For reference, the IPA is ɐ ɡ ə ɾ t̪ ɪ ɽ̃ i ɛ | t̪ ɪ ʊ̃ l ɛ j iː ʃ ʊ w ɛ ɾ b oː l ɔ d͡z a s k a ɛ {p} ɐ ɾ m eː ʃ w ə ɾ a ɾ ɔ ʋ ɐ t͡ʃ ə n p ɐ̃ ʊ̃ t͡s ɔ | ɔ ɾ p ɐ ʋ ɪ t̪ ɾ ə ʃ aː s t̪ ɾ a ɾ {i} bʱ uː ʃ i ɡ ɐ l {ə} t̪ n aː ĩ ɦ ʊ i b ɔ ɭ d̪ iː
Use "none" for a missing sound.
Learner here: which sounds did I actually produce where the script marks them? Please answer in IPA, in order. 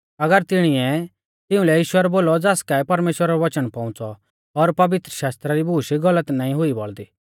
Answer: p, i, ə

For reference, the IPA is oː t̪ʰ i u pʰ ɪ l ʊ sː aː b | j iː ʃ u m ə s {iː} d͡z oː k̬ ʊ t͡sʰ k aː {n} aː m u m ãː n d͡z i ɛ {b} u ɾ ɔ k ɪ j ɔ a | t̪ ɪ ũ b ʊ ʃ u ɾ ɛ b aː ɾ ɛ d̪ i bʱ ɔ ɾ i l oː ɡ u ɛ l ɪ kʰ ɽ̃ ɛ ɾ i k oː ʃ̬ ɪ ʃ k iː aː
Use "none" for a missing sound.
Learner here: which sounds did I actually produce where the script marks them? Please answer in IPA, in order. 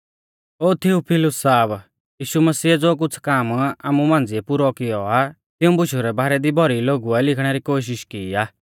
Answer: iː, m, p

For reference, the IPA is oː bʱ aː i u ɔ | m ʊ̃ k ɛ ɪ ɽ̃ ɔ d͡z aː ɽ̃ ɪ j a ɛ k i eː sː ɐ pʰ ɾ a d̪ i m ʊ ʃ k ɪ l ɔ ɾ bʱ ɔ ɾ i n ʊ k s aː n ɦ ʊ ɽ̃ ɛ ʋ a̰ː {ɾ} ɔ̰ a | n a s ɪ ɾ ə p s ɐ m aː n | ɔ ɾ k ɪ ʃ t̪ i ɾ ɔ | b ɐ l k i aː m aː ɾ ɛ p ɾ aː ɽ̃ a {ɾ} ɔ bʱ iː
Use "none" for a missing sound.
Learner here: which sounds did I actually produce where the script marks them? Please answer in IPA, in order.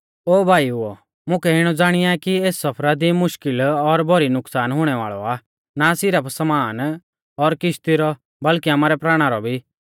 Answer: ɭ, ɾ

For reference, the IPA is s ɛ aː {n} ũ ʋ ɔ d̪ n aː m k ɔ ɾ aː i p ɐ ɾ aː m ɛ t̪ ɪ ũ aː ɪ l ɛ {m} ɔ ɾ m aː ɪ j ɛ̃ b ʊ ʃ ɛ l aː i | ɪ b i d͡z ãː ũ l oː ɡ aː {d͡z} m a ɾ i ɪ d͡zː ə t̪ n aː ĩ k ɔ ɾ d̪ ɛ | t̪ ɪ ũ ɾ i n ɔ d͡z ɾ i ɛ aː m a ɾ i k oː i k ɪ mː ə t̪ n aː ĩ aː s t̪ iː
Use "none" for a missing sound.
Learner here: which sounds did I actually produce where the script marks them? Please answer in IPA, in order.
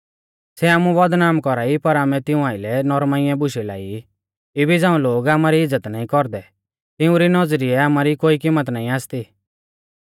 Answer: m, n, none

